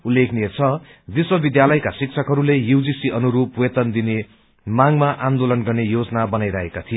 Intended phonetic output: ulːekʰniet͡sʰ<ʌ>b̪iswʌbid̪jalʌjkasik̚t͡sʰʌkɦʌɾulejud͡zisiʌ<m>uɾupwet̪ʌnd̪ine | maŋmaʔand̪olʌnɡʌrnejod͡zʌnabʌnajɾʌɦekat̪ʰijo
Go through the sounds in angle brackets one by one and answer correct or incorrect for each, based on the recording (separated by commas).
correct, incorrect